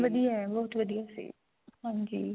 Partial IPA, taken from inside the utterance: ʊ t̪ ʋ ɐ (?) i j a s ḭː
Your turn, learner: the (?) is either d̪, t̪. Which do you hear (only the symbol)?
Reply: d̪